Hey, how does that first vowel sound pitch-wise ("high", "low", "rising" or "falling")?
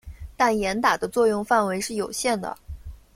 falling